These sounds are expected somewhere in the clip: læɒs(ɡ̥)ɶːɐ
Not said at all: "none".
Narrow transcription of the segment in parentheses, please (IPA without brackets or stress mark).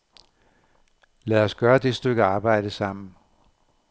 ɡ̥